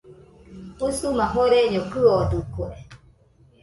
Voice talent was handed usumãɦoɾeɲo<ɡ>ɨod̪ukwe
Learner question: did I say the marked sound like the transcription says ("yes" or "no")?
no